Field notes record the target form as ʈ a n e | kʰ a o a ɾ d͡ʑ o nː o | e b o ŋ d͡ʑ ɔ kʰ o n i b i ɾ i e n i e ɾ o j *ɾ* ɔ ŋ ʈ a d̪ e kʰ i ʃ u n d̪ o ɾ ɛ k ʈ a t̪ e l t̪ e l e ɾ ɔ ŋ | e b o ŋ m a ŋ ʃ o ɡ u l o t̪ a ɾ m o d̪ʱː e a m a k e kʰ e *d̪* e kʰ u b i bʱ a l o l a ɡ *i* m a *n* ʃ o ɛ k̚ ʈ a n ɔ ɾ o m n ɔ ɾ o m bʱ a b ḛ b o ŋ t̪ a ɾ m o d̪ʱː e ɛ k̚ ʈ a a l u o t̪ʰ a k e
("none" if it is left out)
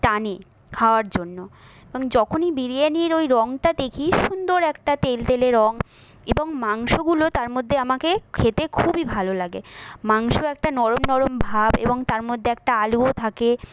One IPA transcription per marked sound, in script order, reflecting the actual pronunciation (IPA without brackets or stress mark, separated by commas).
ɾ, t̪, e, ŋ